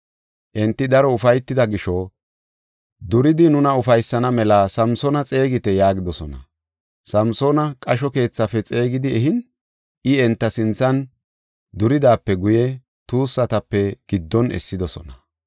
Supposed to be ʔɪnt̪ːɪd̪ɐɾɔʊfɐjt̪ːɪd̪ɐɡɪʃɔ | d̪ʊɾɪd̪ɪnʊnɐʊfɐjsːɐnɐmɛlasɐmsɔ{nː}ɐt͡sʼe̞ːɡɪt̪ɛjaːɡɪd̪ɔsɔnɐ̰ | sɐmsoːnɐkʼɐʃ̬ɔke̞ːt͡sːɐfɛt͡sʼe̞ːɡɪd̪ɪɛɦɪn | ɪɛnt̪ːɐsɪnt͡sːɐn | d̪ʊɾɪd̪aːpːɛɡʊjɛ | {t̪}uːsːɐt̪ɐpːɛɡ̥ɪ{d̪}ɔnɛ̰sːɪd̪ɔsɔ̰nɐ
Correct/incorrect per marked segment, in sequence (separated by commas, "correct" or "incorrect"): incorrect, correct, incorrect